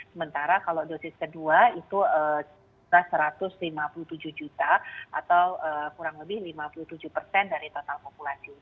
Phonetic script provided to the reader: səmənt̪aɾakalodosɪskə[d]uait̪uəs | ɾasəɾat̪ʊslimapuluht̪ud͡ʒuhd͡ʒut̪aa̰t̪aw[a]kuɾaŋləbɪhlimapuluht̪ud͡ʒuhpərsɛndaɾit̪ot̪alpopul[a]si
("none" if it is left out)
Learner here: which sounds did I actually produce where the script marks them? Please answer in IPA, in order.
d, ə, a

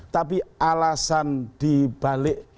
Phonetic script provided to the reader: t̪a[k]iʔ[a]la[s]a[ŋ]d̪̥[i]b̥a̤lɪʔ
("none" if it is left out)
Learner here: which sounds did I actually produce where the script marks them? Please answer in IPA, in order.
p, a, s, n, i

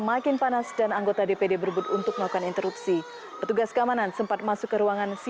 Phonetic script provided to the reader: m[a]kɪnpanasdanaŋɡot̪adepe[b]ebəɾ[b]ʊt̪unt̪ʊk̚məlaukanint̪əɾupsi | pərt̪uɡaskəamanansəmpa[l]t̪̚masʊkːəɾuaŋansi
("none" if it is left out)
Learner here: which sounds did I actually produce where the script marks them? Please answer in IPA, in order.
a, d, b, none

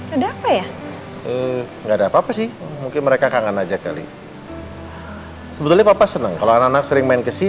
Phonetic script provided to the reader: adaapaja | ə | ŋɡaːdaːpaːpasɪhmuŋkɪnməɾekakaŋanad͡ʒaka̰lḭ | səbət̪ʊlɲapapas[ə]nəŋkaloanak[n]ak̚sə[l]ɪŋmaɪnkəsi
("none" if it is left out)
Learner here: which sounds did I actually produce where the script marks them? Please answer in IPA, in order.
ə, n, ɾ

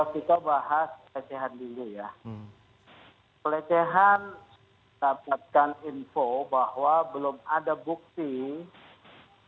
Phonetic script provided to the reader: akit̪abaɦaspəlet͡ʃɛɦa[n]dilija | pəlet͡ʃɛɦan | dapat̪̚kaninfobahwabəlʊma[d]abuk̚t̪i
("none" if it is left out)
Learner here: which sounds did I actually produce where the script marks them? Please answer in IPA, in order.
n, d

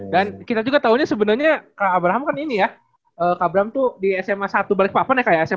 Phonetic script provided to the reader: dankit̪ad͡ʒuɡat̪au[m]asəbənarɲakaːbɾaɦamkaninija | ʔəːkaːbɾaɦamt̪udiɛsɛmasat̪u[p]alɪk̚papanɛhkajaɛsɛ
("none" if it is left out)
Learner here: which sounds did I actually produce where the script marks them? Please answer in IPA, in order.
ɲ, b

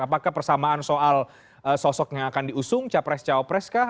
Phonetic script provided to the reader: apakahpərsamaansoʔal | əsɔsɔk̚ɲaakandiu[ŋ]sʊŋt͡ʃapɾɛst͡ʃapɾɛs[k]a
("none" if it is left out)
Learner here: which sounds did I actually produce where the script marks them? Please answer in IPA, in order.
none, k

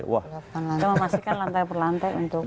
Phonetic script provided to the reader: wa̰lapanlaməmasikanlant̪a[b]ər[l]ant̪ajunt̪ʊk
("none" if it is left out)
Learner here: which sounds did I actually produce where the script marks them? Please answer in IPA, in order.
p, l

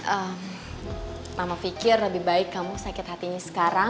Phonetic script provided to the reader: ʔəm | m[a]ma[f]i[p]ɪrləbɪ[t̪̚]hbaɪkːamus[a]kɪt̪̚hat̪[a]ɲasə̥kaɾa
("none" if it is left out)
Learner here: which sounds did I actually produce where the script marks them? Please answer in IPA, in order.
a, f, k, none, a, i

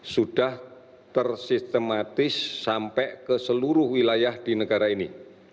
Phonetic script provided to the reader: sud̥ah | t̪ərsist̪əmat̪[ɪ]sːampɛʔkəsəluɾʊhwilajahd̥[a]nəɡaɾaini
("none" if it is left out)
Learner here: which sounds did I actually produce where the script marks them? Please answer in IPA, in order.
ɪ, i

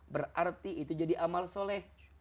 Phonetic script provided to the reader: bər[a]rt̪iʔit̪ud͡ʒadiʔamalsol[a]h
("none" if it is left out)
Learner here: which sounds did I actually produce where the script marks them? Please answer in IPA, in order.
a, ɛ

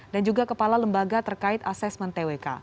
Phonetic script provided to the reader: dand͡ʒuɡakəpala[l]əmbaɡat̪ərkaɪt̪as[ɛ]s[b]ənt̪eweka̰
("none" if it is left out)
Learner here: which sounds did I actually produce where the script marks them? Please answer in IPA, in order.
l, ɛ, m

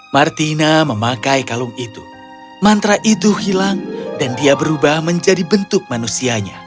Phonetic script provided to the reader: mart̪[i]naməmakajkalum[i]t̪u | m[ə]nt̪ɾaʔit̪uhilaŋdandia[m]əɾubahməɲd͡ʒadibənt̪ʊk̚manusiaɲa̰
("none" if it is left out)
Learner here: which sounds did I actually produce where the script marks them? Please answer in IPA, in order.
i, i, a, b

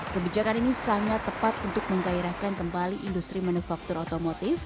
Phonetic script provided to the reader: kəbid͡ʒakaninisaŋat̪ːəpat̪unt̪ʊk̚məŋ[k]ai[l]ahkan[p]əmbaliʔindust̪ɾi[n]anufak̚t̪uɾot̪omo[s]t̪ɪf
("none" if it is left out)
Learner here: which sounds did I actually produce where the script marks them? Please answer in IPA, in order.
ɡ, ɾ, k, m, none

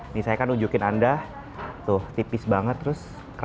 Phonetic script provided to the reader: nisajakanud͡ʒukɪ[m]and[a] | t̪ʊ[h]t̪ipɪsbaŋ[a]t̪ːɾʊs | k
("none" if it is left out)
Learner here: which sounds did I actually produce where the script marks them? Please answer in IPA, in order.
n, a, h, ə

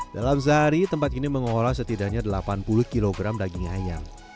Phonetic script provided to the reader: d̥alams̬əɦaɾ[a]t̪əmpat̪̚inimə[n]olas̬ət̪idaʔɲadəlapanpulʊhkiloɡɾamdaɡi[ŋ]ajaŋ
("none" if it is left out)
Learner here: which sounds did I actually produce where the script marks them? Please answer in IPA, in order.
i, ŋ, ŋ

